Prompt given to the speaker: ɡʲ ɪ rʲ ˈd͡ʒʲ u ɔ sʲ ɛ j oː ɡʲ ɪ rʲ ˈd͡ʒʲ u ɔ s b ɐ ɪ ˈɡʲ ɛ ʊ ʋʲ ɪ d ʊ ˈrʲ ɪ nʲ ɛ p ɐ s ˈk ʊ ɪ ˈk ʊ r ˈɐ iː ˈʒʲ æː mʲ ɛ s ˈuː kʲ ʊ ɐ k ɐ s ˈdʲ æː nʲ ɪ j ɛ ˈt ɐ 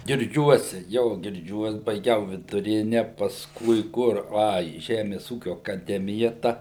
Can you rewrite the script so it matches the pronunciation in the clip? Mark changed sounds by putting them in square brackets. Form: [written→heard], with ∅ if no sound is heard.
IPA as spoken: ɡʲ ɪ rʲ ˈd͡ʒʲ u ɔ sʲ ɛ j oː ɡʲ ɪ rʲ ˈd͡ʒʲ u ɔ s b ɐ ɪ ˈɡʲ ɛ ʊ ʋʲ ɪ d ʊ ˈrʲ ɪ nʲ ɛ p ɐ s ˈk ʊ ɪ ˈk ʊ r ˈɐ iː ˈʒʲ æː mʲ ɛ s ˈuː kʲ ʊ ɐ k ɐ [s→∅] ˈdʲ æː [nʲ→mʲ] ɪ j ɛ ˈt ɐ